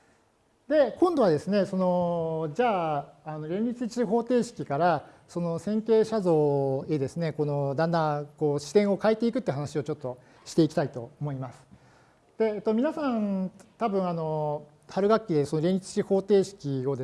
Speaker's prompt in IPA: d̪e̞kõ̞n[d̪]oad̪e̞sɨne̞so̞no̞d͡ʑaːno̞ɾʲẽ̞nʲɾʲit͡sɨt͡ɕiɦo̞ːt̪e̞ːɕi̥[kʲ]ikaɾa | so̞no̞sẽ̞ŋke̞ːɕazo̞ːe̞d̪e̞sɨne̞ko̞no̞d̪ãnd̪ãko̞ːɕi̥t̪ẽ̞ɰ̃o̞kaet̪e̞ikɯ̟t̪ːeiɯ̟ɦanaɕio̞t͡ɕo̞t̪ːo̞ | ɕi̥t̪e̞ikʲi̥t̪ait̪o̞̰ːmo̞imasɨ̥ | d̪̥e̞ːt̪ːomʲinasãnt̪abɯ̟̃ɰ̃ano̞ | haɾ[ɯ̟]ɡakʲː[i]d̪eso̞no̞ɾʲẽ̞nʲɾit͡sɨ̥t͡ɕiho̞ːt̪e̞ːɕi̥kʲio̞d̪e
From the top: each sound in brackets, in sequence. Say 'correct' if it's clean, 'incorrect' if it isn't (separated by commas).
correct, correct, correct, correct